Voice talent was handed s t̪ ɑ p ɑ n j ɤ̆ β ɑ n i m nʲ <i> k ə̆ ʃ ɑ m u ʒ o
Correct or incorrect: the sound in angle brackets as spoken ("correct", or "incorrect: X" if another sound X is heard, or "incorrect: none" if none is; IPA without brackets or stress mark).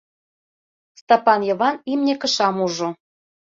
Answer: incorrect: e